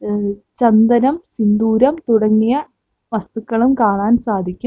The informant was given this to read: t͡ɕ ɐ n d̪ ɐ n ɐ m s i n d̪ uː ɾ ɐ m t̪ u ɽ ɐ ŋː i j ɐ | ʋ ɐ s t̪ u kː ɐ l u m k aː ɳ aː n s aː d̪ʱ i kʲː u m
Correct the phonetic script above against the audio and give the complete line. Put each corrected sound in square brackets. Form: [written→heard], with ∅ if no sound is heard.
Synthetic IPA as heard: t͡ɕ ɐ n d̪ ɐ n ɐ m s i n d̪ uː ɾ ɐ m t̪ u ɽ ɐ ŋː i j ɐ | ʋ ɐ s t̪ u kː ɐ [l→ɭ] u m k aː ɳ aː n s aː d̪ʱ i kʲː u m